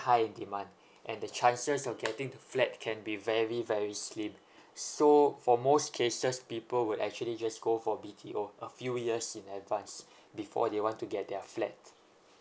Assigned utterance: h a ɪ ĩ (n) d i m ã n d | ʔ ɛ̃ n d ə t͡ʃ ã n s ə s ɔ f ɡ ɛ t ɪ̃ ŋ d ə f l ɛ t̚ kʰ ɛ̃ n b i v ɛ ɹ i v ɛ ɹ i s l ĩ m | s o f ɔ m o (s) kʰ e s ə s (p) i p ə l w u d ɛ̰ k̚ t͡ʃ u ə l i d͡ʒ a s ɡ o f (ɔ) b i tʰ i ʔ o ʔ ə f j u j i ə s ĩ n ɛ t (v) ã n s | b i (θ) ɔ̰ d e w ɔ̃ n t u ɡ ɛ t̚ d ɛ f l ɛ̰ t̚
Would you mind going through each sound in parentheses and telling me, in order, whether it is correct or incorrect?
correct, correct, correct, correct, correct, incorrect: f

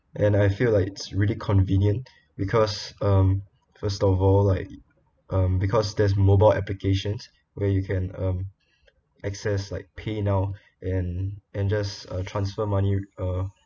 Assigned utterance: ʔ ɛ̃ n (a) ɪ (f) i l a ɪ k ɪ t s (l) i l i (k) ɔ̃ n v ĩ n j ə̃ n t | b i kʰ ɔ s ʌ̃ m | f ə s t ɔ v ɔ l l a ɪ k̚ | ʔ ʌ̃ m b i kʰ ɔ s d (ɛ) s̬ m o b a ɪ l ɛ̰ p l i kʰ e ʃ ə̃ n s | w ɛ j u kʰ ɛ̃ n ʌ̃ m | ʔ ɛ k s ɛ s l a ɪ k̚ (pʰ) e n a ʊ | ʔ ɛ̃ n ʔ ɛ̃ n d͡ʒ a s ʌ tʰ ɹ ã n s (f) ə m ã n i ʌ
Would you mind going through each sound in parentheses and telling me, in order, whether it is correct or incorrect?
correct, correct, incorrect: ɹ, incorrect: kʰ, correct, correct, correct

